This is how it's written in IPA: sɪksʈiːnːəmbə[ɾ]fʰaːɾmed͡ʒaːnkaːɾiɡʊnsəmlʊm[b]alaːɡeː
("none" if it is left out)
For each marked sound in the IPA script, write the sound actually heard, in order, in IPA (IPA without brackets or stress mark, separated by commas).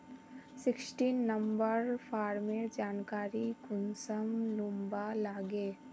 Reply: ɾ, b